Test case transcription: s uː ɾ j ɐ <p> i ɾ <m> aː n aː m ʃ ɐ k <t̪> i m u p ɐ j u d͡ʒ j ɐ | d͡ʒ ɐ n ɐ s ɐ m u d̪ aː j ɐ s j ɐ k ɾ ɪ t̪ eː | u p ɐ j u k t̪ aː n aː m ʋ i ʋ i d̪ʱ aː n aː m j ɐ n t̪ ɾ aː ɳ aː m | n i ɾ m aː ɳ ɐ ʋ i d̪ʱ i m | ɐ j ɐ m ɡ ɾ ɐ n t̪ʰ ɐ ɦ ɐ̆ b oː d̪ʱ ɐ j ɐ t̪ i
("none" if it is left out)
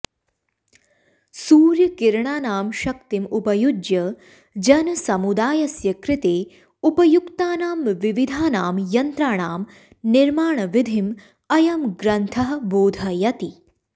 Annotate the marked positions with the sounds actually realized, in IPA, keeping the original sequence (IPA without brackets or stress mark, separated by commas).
k, ɳ, t̪